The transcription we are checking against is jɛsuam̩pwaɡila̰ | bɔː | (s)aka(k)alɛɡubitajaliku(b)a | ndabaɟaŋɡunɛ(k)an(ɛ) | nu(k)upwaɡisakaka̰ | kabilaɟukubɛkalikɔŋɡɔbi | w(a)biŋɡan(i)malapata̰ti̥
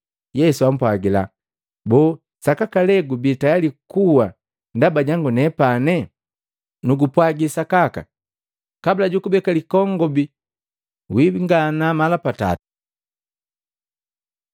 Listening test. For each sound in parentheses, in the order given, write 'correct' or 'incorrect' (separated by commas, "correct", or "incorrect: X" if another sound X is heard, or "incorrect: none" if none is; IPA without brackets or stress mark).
correct, correct, incorrect: w, incorrect: p, correct, incorrect: ɡ, incorrect: i, incorrect: a